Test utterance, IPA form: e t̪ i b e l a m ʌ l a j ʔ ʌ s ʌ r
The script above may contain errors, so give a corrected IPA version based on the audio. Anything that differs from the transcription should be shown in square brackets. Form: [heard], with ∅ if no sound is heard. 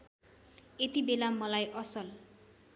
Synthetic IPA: e t̪ i b e l a m ʌ l a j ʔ ʌ s ʌ [l]

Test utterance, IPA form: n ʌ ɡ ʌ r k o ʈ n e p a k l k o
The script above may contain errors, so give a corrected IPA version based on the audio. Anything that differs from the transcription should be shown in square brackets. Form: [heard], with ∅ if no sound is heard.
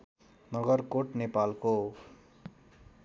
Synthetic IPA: n ʌ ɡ ʌ r k o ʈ n e p a [∅] l k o

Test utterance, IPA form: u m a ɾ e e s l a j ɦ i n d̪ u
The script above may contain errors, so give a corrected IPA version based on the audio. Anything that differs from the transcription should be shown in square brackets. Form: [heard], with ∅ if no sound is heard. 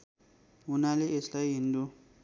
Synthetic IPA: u [n] a [l] e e s l a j ɦ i n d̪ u

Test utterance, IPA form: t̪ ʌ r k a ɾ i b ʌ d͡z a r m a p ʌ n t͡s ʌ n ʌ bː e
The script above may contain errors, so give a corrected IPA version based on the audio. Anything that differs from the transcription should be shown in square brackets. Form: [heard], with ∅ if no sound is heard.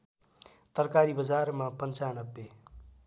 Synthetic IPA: t̪ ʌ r k a ɾ i b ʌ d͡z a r m a p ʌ n t͡s [a] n ʌ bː e

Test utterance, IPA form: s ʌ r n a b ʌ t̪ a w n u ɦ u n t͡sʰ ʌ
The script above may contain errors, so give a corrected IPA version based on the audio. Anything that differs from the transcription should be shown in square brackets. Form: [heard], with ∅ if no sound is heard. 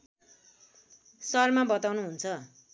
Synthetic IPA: s ʌ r [m] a b ʌ t̪ a w n u ɦ u n t͡sʰ ʌ

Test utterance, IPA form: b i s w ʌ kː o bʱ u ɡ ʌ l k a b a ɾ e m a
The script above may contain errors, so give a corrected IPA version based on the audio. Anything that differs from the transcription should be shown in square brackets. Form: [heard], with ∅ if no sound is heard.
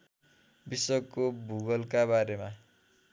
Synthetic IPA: b i s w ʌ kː o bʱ u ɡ ʌ l k a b a ɾ e m a

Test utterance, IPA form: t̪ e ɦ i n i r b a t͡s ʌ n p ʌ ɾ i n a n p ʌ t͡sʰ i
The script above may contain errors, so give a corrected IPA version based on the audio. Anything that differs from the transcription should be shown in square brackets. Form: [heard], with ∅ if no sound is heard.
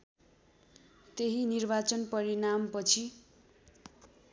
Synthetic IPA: t̪ e ɦ i n i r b a t͡s ʌ n p ʌ ɾ i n a [m] p ʌ t͡sʰ i

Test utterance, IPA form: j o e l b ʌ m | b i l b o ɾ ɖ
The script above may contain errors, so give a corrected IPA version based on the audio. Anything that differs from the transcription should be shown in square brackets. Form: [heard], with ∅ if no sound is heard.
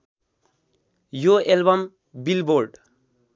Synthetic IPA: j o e l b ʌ m | b i l b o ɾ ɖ

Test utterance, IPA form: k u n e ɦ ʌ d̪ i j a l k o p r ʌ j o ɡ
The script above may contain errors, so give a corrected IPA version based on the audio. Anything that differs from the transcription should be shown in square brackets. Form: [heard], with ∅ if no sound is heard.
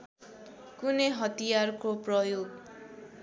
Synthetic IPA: k u n e ɦ ʌ [t̪] i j a [r] k o p r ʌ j o ɡ

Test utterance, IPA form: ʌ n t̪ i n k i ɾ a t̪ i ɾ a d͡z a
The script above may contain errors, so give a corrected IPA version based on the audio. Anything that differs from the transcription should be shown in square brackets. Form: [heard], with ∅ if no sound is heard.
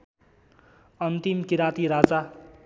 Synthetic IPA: ʌ n t̪ i [m] k i ɾ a t̪ i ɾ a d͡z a

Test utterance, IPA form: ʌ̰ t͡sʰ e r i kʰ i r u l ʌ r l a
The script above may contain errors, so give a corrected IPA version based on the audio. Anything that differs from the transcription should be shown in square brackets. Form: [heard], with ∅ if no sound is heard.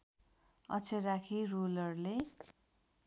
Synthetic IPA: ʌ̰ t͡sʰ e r [a] kʰ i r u l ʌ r l [e]

